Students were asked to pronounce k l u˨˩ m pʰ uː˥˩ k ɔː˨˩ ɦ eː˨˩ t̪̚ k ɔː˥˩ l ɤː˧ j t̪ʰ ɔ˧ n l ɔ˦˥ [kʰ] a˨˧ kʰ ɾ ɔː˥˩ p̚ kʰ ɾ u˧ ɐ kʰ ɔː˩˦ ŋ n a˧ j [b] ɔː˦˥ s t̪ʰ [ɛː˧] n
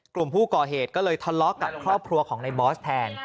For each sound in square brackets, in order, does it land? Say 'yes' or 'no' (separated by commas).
no, yes, yes